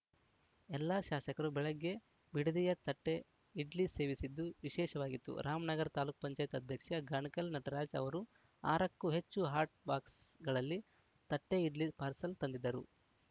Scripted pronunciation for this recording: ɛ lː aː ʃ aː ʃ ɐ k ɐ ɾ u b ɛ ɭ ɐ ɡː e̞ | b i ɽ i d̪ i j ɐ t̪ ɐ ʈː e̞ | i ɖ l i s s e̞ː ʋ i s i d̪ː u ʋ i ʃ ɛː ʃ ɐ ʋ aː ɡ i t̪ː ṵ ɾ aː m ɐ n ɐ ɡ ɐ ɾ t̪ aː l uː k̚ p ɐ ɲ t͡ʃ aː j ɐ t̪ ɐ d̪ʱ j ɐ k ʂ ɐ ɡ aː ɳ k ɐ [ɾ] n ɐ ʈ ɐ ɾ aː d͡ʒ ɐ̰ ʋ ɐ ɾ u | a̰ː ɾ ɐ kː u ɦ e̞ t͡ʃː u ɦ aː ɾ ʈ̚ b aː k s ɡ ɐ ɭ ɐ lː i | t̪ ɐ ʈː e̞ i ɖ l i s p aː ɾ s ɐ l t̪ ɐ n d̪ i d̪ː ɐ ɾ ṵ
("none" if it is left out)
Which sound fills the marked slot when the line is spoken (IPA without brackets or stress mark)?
l